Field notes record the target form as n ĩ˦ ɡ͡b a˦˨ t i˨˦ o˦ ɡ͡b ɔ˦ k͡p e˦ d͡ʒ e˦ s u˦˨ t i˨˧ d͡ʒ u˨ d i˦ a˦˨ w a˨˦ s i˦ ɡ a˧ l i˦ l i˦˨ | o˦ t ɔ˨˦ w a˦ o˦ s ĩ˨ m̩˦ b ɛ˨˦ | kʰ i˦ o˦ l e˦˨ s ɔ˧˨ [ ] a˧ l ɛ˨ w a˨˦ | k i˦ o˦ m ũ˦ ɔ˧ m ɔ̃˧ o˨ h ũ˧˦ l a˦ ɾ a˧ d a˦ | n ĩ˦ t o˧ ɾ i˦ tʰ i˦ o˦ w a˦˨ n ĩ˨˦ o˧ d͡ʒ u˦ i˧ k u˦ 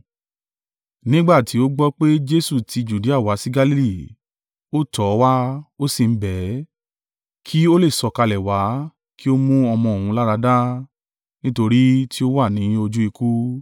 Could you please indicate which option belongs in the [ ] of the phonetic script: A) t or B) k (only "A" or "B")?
B